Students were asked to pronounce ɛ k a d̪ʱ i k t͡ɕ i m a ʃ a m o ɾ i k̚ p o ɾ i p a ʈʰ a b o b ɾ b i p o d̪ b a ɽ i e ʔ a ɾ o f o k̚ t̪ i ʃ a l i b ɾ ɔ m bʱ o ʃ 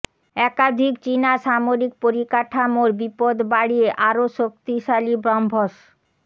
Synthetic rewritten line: ɛ k a d̪ʱ i k t͡ɕ i n a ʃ a m o ɾ i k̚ p o ɾ i k a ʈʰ a m o ɾ b i p o d̪ b a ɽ i e ʔ a ɾ o ʃ o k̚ t̪ i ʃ a l i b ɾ ɔ m bʱ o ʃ